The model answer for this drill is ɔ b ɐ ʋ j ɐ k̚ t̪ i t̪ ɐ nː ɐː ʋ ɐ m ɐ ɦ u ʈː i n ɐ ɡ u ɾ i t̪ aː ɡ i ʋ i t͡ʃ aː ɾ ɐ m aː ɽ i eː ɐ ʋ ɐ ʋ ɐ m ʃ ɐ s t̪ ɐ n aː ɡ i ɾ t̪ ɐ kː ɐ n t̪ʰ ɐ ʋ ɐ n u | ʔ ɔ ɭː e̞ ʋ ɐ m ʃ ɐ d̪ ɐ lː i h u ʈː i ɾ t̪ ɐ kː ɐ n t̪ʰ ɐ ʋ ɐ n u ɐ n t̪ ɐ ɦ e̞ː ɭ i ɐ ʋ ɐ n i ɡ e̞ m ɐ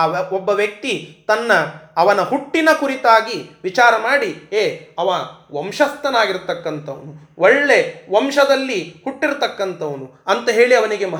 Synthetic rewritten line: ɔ bː ɐ ʋ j ɐ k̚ t̪ i t̪ ɐ nː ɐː ʋ ɐ n ɐ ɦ u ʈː i n ɐ k u ɾ i t̪ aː ɡ i ʋ i t͡ʃ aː ɾ ɐ m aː ɽ i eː ɐ ʋ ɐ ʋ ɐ m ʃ ɐ s t̪ ɐ n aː ɡ i ɾ t̪ ɐ kː ɐ n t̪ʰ ɐ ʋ ɐ n u | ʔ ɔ ɭː e̞ ʋ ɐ m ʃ ɐ d̪ ɐ lː i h u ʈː i ɾ t̪ ɐ kː ɐ n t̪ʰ ɐ ʋ ɐ n u ɐ n t̪ ɐ ɦ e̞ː ɭ i ɐ ʋ ɐ n i ɡ e̞ m ɐ